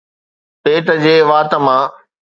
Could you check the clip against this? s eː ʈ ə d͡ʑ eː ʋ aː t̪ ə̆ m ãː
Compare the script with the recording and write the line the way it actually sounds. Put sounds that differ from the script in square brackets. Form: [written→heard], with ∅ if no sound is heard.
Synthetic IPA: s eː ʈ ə d͡ʑ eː ʋ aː t̪ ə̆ m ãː